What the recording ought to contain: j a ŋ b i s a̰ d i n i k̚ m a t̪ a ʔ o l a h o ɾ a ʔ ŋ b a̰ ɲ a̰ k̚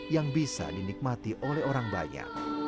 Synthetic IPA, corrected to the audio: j a ŋ b i s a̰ d i n i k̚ m a t̪ i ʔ o l ɛ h o ɾ a ŋ b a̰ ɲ a̰ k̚